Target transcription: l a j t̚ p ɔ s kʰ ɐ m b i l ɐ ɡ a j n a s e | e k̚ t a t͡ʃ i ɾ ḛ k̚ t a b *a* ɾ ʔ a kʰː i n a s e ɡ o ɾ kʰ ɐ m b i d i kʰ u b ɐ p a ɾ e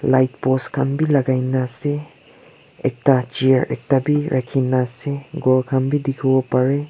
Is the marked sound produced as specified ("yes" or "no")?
no